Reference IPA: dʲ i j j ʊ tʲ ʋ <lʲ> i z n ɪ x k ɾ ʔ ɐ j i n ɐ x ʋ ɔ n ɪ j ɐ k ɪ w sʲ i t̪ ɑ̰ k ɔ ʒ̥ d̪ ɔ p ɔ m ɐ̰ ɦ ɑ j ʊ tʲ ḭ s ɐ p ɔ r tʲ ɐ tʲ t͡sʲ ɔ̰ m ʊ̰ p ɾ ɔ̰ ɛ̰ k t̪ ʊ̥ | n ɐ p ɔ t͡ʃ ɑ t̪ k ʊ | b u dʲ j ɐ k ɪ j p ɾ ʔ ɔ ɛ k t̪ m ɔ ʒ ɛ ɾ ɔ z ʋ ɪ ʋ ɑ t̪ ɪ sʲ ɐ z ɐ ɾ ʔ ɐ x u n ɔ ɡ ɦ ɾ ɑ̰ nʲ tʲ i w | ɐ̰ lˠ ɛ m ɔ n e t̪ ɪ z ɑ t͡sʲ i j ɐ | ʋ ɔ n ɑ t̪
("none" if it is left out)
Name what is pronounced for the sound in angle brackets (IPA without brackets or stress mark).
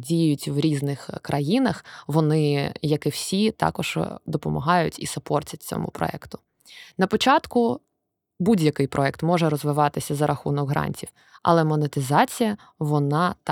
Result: ɾʲ